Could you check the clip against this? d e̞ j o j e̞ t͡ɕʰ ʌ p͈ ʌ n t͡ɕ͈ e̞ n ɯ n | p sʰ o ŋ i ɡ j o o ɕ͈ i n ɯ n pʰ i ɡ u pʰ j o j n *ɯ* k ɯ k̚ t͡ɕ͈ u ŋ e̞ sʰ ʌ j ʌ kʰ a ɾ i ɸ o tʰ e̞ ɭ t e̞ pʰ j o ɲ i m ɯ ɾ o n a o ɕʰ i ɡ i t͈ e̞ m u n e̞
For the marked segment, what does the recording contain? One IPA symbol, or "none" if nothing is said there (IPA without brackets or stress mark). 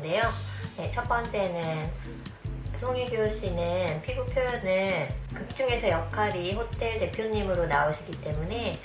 ɯ